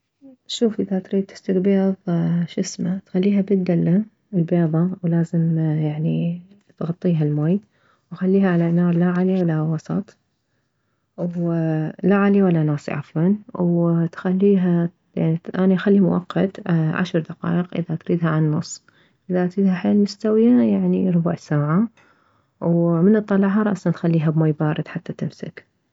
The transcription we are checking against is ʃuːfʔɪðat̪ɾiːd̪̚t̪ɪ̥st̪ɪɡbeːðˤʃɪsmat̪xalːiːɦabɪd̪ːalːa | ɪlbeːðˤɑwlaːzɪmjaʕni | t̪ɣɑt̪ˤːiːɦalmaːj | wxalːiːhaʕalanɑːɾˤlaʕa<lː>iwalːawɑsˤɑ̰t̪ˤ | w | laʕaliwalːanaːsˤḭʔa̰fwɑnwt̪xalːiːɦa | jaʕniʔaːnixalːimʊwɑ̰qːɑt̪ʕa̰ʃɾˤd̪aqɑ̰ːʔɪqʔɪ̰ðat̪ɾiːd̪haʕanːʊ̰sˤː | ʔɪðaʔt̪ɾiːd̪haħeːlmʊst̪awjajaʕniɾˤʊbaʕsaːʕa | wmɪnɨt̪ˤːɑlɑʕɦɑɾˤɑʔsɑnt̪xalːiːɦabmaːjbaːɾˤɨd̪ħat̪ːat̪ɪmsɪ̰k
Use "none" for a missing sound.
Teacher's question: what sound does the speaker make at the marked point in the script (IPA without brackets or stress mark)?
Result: l